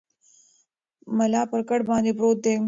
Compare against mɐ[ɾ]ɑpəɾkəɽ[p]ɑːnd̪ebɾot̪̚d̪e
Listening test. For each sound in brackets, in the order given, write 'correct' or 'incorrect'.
incorrect, incorrect

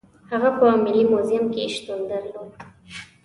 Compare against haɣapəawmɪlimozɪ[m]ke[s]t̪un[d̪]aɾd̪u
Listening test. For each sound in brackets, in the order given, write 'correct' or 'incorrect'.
correct, incorrect, correct

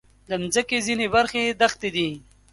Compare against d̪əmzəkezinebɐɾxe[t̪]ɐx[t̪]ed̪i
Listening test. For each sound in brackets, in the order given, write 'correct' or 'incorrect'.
incorrect, correct

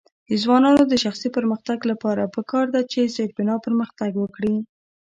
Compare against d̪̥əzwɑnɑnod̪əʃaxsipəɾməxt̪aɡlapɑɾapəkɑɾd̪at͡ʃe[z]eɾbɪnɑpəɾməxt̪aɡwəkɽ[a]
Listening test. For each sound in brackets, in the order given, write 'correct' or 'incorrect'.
correct, incorrect

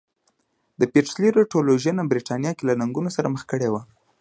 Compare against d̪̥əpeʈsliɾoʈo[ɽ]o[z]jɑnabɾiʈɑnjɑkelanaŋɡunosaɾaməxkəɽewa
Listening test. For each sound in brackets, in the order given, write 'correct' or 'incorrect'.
incorrect, incorrect

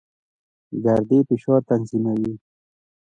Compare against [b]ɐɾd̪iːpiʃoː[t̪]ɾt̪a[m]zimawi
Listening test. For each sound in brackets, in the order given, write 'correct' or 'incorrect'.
incorrect, incorrect, incorrect

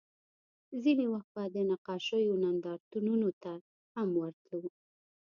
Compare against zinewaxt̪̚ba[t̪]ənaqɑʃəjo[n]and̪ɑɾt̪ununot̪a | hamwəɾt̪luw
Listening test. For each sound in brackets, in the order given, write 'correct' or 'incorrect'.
incorrect, correct

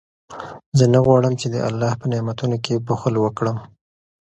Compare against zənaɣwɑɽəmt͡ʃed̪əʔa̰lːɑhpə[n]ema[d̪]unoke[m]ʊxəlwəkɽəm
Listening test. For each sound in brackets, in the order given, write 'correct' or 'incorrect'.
correct, incorrect, incorrect

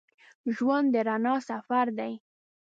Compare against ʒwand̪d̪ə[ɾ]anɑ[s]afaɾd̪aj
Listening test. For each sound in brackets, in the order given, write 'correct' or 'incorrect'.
correct, correct

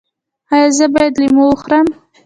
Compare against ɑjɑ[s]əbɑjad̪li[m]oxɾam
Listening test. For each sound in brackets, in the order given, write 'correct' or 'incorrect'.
incorrect, correct

